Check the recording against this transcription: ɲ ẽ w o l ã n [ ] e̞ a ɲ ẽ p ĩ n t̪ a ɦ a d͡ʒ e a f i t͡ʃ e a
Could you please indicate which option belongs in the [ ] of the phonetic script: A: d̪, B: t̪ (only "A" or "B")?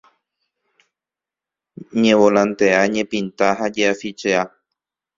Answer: B